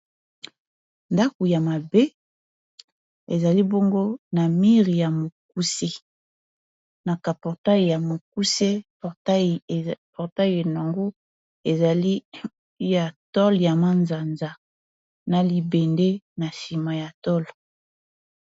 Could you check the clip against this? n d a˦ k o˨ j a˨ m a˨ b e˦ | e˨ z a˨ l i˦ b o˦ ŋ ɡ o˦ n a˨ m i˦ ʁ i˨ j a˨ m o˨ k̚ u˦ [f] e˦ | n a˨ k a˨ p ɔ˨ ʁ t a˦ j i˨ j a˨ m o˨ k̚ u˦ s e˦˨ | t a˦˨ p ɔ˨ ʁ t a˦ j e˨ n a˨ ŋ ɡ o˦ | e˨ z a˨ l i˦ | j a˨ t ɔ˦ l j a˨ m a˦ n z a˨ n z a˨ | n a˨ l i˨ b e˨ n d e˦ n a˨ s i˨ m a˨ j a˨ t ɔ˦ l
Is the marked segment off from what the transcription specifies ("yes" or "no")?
yes